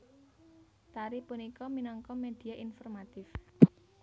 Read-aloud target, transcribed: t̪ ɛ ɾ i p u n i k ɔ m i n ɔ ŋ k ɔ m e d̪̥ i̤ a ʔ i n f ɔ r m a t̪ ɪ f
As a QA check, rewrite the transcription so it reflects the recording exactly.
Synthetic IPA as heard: t̪ a ɾ i p u n i k ɔ m i n ɔ ŋ k ɔ m e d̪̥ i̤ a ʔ i n f ɔ r m a t̪ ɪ f

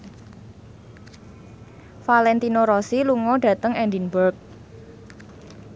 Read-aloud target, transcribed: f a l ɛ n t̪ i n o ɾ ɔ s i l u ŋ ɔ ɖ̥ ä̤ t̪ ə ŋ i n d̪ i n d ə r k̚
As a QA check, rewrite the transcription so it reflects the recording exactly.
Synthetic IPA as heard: f a l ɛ n t̪ i n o ɾ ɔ s i l u ŋ ɔ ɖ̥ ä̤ t̪ ə ŋ ɛ n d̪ i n b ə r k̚

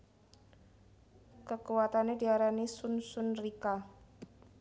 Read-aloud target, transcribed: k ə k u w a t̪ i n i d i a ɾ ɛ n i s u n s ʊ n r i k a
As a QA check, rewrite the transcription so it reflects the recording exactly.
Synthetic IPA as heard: k ə k u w a t̪ a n e d i a ɾ a n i s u n s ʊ n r i k a

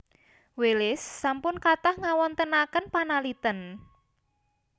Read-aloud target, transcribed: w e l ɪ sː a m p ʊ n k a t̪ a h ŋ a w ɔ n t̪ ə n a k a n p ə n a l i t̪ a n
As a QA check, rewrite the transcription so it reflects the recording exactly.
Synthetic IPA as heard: w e l ɪ sː a m p ʊ n k a t̪ a h ŋ a w ɔ n t̪ ə n a k ə n p a n a l i t̪ ə n

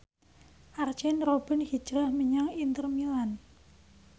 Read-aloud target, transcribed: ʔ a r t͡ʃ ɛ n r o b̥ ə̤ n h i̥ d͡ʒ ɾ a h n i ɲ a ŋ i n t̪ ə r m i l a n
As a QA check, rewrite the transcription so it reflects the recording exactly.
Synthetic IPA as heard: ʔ a r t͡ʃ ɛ n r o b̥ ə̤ n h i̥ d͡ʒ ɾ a h m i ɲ a ŋ i n t̪ ə r m i l a n

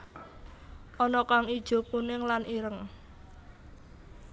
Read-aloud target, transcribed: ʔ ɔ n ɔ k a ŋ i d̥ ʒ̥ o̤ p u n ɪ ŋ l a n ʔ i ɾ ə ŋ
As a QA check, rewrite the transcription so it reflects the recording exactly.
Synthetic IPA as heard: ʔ ɔ n ɔ k a ŋ i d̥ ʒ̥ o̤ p u n ɪ ŋ l a n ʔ i ɾ ə ŋ

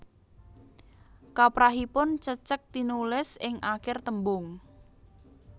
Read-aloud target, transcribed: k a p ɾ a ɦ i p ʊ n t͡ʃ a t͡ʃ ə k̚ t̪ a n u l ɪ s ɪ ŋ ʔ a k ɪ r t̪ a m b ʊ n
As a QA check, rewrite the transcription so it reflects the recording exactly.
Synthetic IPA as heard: k a p ɾ a ɦ i p ʊ n t͡ʃ ə t͡ʃ ə k̚ t̪ i n u l ɪ s ɪ ŋ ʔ a k ɪ r t̪ ə m b ʊ ŋ

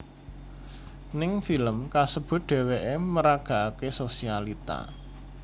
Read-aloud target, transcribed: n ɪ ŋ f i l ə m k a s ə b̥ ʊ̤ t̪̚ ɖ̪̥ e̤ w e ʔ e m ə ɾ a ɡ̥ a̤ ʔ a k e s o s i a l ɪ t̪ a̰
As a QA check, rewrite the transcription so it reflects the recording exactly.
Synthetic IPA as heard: n ɪ ŋ f i l ə m k a s ə b̥ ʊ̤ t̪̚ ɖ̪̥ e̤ w e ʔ e m ə ɾ a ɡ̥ a̤ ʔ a k e s o s i a l i t̪ a̰

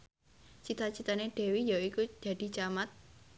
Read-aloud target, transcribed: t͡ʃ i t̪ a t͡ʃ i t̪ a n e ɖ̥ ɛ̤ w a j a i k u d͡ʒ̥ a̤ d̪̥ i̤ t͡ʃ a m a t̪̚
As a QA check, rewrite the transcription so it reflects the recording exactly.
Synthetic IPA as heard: t͡ʃ i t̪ a t͡ʃ i t̪ a n e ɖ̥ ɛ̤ w i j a i k u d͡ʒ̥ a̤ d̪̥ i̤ t͡ʃ a m a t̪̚

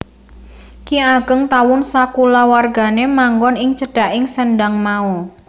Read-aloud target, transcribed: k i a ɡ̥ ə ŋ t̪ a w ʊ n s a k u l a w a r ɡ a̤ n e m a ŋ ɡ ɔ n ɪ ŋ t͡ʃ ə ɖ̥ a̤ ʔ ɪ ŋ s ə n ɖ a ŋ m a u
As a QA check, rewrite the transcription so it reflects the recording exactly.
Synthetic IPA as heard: k i a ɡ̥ ə ŋ t̪ a w ʊ n s a k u l a w a r ɡ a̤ n e m a ŋ ɡ ɔ n ɪ ŋ t͡ʃ ə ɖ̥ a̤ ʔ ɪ ŋ s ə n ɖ a ŋ m a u

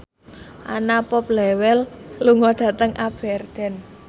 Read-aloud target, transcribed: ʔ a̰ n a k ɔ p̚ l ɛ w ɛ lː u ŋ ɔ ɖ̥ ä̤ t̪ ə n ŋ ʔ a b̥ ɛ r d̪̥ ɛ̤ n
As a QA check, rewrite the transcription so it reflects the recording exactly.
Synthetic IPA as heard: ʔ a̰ n a p ɔ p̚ l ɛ w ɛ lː u ŋ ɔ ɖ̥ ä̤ t̪ ə ŋ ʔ a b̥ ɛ r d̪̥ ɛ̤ n

